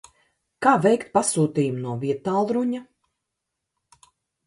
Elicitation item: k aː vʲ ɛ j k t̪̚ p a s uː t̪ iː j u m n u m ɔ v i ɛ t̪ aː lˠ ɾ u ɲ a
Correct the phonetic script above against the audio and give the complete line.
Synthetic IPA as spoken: k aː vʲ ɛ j k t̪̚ p a s uː t̪ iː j u m n u ɔ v i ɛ t̪ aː lˠ ɾ u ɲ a